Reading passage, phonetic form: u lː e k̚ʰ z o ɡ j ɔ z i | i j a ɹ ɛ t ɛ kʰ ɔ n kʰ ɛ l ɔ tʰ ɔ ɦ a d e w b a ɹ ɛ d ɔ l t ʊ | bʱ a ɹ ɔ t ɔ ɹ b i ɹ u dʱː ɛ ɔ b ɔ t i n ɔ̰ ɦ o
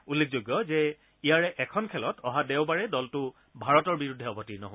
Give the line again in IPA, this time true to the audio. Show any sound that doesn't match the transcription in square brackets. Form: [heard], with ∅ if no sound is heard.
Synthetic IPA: u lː e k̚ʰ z o ɡ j ɔ z [ɛ] | i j a ɹ ɛ [ʔ] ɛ kʰ ɔ n kʰ ɛ l ɔ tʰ ɔ ɦ a d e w b a ɹ ɛ d ɔ l t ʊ | bʱ a ɹ ɔ t ɔ ɹ b i ɹ u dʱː ɛ ɔ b ɔ t i n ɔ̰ ɦ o